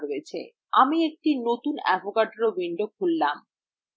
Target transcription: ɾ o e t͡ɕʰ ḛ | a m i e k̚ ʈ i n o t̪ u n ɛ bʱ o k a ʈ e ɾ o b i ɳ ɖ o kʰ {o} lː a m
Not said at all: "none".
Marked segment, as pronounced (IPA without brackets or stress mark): u